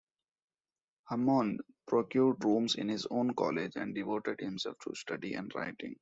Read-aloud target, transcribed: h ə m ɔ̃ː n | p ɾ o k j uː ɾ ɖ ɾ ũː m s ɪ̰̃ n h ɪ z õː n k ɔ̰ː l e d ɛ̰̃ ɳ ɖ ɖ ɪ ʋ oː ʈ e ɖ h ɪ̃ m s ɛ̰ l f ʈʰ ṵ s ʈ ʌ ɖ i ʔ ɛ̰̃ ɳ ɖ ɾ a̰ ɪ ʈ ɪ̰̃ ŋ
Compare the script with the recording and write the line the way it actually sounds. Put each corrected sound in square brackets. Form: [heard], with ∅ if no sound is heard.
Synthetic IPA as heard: h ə m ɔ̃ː n | p ɾ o k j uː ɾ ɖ ɾ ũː m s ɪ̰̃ n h ɪ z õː n k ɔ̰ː l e [d͡ʒ] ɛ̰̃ ɳ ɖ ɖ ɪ ʋ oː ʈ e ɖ h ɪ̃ m s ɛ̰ l f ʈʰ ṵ s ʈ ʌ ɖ i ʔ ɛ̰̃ ɳ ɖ ɾ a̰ ɪ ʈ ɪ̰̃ ŋ